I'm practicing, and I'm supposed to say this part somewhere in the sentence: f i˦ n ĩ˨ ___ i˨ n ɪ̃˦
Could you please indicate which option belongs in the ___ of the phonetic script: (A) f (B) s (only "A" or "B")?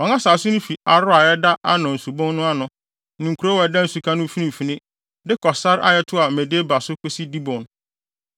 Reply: A